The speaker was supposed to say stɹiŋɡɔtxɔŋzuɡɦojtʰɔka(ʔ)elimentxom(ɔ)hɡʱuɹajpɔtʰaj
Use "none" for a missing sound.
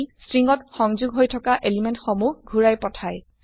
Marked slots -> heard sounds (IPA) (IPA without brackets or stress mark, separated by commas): ʔ, u